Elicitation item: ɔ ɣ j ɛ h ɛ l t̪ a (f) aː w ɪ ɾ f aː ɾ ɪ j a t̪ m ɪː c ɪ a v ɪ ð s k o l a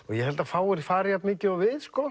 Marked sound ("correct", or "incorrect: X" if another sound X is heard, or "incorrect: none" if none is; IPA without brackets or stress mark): correct